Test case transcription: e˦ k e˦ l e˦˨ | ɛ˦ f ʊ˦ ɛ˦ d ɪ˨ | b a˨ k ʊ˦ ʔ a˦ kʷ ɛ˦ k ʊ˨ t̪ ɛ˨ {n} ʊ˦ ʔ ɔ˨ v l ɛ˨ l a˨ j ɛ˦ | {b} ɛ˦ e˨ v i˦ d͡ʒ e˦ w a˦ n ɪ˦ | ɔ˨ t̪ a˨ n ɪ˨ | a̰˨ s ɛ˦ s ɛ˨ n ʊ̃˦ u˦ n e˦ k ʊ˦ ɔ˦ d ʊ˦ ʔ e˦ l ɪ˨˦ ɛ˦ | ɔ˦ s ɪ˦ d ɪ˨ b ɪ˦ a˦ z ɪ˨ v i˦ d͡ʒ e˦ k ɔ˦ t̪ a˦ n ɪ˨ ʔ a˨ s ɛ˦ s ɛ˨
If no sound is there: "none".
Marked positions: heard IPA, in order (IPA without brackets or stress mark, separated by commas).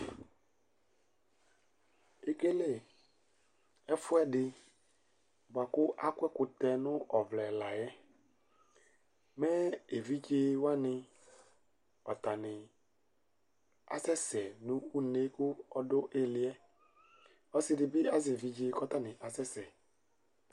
n, m